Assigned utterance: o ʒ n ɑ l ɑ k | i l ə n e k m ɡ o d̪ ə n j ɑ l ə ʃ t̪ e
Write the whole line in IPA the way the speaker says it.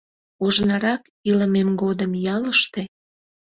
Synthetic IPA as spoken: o ʒ n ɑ ɾ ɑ k | i l ə m e m ɡ o d̪ ə m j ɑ l ə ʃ t̪ e